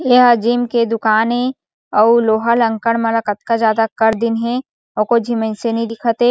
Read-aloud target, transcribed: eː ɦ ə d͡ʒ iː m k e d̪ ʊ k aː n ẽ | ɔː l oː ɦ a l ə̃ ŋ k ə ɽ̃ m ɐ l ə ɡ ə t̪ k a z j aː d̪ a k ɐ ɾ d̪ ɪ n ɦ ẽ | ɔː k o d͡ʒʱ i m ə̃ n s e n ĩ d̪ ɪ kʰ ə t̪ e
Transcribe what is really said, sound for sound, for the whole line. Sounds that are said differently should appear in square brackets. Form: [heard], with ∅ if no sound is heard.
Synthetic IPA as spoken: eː ɦ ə d͡ʒ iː m k e d̪ ʊ k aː n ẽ | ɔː l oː ɦ a l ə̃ ŋ k ə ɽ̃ m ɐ l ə [k] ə t̪ k a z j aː d̪ a k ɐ ɾ d̪ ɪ n ɦ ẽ | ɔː k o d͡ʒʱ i m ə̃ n s e n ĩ d̪ ɪ kʰ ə t̪ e